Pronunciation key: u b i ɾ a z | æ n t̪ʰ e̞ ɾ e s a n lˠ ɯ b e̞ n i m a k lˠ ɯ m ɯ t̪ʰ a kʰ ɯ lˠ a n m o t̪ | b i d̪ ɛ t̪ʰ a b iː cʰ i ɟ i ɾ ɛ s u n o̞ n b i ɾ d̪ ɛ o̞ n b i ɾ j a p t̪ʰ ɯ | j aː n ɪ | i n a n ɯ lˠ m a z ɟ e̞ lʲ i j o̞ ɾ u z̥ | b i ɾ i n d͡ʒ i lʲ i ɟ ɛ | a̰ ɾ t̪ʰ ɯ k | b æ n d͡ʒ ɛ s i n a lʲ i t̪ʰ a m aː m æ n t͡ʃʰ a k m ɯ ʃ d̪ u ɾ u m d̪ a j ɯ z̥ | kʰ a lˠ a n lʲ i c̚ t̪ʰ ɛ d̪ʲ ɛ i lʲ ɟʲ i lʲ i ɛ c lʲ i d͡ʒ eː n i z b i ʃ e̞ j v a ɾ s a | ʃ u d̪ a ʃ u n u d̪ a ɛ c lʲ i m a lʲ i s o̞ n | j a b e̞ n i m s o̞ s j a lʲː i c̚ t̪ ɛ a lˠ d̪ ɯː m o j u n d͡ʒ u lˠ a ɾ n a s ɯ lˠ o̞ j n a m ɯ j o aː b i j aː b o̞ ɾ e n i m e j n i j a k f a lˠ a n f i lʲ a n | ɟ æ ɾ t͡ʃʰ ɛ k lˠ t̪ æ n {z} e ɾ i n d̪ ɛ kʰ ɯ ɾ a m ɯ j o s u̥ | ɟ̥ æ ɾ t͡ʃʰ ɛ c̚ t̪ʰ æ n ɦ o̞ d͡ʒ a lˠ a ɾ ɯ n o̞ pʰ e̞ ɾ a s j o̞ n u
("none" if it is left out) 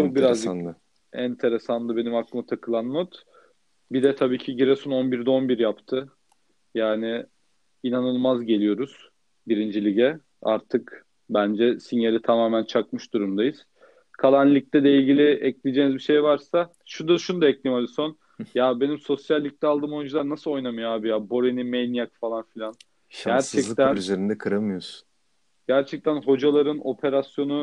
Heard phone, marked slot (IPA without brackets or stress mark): z